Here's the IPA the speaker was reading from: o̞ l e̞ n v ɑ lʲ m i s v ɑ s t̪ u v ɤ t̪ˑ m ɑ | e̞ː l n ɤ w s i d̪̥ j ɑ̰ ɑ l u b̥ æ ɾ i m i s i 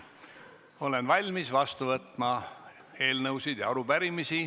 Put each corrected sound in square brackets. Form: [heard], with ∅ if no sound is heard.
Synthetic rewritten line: o̞ l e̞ n v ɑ lʲ m i s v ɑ s t̪ u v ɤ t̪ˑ m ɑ | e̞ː l n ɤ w s i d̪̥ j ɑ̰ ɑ [ɾ] u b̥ æ ɾ i m i s i

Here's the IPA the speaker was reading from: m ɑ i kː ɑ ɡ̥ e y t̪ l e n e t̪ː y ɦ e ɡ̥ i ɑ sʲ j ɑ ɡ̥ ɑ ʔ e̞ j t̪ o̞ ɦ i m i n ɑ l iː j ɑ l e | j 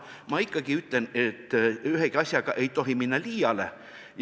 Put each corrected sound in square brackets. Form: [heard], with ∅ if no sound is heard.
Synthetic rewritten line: m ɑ i kː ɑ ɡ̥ [i] y t̪ l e n e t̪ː y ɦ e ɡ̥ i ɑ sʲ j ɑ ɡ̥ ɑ ʔ e̞ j t̪ o̞ ɦ i m i [nː] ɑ l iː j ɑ l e | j

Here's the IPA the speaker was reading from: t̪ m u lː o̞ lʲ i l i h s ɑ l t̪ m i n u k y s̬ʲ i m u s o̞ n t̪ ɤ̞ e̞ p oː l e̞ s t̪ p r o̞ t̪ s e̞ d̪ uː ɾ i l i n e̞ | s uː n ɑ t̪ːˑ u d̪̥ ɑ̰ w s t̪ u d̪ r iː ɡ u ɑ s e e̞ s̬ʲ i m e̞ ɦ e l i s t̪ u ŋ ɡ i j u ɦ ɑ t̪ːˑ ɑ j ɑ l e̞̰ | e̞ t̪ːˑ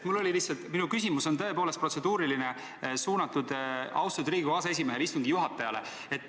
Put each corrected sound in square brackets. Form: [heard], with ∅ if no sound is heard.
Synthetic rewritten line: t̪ m u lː o̞ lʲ i l i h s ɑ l t̪ m i n u k y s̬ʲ i m u s o̞ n t̪ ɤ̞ e̞ p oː l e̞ s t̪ p r o̞ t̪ s e̞ d̪ uː ɾ i l i n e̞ | s uː n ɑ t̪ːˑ u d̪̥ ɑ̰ w s t̪ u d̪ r iː ɡ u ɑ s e e̞ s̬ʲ i m e̞ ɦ e l i s t̪ u ŋ ɡ i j u ɦ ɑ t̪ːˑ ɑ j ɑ l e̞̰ | e̞ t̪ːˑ

